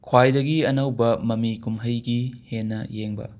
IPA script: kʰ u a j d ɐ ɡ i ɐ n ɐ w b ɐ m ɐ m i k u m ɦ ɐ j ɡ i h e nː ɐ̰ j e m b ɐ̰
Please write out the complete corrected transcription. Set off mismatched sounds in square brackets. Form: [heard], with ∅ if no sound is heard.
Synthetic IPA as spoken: kʰ [w] a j d ɐ ɡ i ɐ n ɐ w b ɐ m ɐ m i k u m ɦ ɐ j ɡ i h e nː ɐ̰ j e [ŋ] b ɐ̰

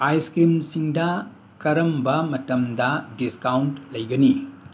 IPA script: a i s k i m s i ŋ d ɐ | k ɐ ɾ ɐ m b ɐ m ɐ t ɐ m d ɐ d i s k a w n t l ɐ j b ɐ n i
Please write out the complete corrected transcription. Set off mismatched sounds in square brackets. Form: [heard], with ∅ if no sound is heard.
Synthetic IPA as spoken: a [j] s k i m s i ŋ d ɐ | k ɐ ɾ ɐ m b ɐ m ɐ t ɐ m d ɐ d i s k a w n t l ɐ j [ɡ] ɐ n i

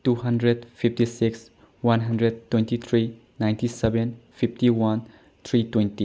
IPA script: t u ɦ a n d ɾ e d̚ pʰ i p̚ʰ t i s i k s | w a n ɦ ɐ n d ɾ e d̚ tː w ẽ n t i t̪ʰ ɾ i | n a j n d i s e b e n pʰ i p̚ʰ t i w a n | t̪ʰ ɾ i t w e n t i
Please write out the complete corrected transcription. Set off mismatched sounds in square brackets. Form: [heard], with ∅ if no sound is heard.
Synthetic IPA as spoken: t u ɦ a n d ɾ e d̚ pʰ i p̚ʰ t i s i k s | w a n ɦ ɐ n d ɾ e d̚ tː w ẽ n t i t̪ʰ ɾ i | n a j n [t] i s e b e n pʰ i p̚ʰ t i w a n | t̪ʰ ɾ i t w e n t i

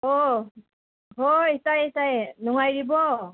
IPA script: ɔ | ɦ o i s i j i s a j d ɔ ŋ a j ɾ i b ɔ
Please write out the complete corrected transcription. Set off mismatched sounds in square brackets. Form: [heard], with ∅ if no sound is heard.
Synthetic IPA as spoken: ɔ | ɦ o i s [a] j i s a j [n] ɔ ŋ a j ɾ i b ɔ

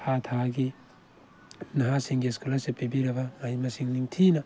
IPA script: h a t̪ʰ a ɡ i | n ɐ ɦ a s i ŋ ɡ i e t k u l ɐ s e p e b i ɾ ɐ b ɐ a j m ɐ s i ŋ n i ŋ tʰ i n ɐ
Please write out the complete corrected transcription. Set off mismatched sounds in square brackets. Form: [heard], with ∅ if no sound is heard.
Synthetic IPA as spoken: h a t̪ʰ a ɡ i | n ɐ ɦ a s i ŋ ɡ i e [s] k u l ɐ s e p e b i ɾ ɐ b ɐ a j m ɐ s i ŋ n i ŋ tʰ i n ɐ

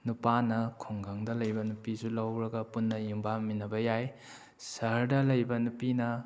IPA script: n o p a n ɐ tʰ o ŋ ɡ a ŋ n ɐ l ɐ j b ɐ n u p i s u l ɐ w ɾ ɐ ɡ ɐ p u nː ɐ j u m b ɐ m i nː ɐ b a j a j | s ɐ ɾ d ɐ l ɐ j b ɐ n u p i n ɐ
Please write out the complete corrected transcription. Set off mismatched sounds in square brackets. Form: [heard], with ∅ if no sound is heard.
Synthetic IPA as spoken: n [u] p a n ɐ [kʰ] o ŋ ɡ a ŋ [d] ɐ l ɐ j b ɐ n u p i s u l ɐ w ɾ ɐ ɡ ɐ p u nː ɐ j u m b [a] m i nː ɐ b [ɐ] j a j | s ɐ ɾ d ɐ l ɐ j b ɐ n u p i n ɐ

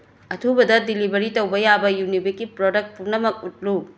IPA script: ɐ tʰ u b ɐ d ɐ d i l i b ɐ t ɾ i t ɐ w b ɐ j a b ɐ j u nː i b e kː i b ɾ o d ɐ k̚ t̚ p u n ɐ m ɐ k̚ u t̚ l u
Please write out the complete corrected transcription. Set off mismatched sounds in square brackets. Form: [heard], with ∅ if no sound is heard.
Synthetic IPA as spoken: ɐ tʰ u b ɐ d ɐ d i l i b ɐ [∅] ɾ i t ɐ w b ɐ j a b ɐ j u [n] i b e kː i [p] ɾ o d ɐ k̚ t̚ p u n ɐ m ɐ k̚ u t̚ l u

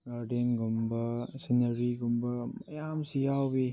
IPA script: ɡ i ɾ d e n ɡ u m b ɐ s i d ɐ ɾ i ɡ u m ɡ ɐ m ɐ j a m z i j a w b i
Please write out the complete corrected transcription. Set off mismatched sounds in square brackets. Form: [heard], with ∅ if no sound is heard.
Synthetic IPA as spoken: ɡ [a] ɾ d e n ɡ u m b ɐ s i [n] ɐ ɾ i ɡ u m [b] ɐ m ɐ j a m [s] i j a w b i

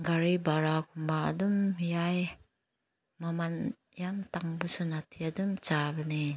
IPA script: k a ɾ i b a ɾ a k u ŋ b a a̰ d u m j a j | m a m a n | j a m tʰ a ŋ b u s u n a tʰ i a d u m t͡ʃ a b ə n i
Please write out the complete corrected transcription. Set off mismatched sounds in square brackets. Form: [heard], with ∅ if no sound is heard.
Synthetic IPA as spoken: [ɡ] a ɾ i b a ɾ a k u [m] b a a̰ d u m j a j | m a m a n | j a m [t] a ŋ b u s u n a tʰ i a d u m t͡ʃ a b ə n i

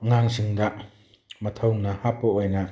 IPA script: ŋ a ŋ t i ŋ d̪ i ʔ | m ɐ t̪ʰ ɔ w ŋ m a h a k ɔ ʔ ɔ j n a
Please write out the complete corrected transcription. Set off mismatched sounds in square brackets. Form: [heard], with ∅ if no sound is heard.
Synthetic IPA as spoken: ŋ a ŋ [s] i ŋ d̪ [a] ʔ | m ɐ t̪ʰ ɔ w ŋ [n] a h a [p] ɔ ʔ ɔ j n a

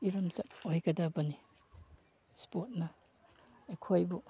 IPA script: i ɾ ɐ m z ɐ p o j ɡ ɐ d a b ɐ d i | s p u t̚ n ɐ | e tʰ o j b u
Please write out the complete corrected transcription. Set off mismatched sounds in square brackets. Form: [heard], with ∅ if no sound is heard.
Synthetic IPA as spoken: i ɾ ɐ m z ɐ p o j ɡ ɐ d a b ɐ [n] i | s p [o] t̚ n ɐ | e [kʰ] o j b u

